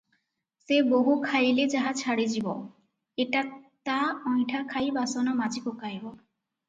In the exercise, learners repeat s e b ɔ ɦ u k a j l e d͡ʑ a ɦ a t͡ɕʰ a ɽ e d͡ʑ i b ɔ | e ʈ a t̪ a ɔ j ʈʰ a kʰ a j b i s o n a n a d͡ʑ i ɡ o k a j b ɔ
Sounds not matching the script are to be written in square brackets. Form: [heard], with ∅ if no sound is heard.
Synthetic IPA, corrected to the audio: s e b [o] ɦ u [kʰ] a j l e d͡ʑ a ɦ a t͡ɕʰ a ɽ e d͡ʑ i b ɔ | e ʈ a t̪ a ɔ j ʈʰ a kʰ a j b [a] s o n a [m] a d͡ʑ i [k] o k a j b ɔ

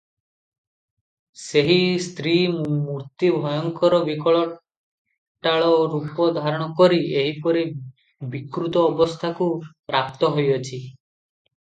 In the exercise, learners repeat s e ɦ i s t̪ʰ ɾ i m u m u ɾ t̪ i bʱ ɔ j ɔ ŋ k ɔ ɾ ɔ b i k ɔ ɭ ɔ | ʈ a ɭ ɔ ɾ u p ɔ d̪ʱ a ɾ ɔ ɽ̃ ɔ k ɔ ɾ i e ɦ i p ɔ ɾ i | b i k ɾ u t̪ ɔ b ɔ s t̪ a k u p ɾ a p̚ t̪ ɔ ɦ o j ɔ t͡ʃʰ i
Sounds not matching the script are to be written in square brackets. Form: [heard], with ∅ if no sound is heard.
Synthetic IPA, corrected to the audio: s e ɦ i s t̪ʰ ɾ i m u m u ɾ t̪ i bʱ ɔ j ɔ ŋ k ɔ ɾ ɔ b i k ɔ ɭ ɔ | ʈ a ɭ ɔ ɾ u p ɔ d̪ʱ a ɾ ɔ ɽ̃ ɔ k ɔ ɾ i e ɦ i p ɔ ɾ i | b i k ɾ u t̪ [ɔː] b ɔ s [t̪ʰ] a k u p ɾ a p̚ t̪ ɔ ɦ o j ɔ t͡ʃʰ i

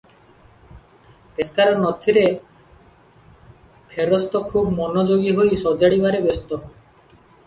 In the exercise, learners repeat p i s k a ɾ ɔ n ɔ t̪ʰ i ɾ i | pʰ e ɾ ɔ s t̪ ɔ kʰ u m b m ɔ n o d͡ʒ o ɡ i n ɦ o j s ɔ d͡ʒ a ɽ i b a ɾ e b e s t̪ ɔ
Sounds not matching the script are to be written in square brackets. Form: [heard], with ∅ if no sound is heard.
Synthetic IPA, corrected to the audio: p [e] s k a ɾ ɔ n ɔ t̪ʰ i ɾ [e] | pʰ e ɾ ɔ s t̪ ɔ kʰ u [∅] b m ɔ n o d͡ʒ o ɡ i [∅] ɦ o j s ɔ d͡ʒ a ɽ i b a ɾ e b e s t̪ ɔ

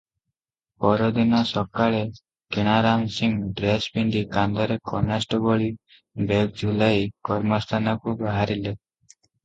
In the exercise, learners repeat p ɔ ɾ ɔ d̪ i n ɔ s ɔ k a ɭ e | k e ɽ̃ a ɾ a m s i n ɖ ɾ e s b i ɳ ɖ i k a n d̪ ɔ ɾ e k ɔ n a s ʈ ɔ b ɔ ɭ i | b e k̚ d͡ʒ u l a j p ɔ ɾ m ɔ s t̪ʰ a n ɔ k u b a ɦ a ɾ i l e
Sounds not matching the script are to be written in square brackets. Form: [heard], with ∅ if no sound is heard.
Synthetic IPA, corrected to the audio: p ɔ ɾ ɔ d̪ i n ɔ s ɔ k a ɭ e | k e ɽ̃ a ɾ a m s i [ŋ] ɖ ɾ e s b i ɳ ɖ i k a n d̪ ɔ ɾ e k ɔ n a s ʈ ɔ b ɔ ɭ i | b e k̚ d͡ʒ u l a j [k] ɔ ɾ m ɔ s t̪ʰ a n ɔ k u b a ɦ a ɾ i l e

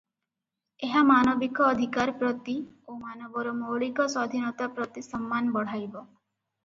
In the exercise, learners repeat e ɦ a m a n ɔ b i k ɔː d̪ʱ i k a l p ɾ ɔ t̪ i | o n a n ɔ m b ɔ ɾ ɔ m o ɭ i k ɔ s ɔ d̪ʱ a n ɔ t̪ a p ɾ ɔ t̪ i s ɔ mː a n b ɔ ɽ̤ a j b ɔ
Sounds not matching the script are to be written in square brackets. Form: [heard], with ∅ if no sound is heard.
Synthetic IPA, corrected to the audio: e ɦ a m a n ɔ b i k ɔː d̪ʱ i k a [ɾ] p ɾ ɔ t̪ i | o [m] a n ɔ [∅] b ɔ ɾ ɔ m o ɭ i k ɔ s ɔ d̪ʱ [i] n ɔ t̪ a p ɾ ɔ t̪ i s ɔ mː a n b ɔ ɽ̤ a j b ɔ

